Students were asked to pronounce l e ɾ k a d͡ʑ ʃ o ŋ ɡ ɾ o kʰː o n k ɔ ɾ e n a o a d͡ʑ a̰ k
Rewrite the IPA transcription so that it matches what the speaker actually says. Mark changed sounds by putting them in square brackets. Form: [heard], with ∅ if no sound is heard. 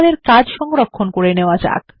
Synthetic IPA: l e ɾ k a d͡ʑ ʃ [ɔ] ŋ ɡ ɾ o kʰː o n k [o] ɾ e n [e] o a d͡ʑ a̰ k